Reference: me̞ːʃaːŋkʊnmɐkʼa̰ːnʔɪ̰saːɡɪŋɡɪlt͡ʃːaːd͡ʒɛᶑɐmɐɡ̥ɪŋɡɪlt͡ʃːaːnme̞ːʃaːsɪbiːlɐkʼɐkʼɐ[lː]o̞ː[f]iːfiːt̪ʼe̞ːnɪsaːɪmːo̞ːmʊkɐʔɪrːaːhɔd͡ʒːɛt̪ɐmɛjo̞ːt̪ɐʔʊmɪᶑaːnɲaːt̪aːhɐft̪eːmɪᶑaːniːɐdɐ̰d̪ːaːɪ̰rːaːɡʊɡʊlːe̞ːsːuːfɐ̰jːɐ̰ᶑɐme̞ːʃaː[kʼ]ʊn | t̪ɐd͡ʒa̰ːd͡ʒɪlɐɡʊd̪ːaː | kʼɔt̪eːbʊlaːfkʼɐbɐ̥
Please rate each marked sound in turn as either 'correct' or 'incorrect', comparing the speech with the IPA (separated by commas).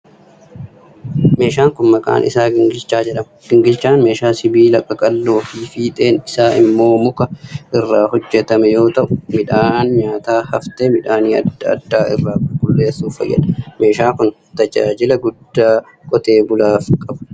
correct, correct, incorrect